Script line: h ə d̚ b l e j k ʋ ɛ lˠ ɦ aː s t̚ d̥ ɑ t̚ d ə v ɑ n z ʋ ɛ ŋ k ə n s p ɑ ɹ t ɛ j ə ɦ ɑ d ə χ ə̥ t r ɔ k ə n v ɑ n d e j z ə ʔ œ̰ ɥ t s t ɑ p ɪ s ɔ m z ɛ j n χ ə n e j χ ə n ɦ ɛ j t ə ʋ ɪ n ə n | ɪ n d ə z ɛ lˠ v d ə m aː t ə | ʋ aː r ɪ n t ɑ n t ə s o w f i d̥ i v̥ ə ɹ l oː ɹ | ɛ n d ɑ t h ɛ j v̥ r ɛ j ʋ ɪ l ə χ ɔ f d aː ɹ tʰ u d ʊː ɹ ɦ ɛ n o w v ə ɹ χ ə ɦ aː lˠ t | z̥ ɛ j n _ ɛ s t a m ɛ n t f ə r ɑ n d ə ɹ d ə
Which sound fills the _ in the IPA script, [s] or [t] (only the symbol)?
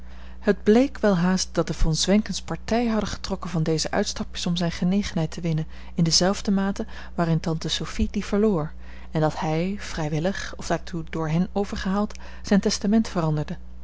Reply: t